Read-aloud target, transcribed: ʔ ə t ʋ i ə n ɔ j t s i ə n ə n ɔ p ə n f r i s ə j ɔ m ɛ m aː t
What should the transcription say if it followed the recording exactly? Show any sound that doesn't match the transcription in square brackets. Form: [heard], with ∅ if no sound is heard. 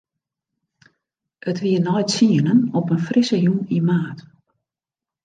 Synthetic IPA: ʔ ə t ʋ i ə n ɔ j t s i ə n ə n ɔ p ə n f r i s ə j [u] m [i] m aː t